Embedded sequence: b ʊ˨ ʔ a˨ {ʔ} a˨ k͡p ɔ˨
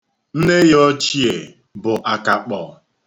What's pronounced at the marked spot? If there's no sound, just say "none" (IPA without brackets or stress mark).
k